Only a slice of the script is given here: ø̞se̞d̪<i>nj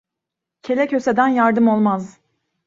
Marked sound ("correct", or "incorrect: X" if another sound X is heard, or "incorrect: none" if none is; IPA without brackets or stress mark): incorrect: æ